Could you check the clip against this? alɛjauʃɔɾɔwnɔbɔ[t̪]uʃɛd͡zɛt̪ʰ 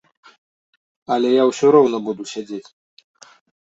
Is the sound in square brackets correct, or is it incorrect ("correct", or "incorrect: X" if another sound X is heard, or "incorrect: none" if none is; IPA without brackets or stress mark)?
incorrect: d̪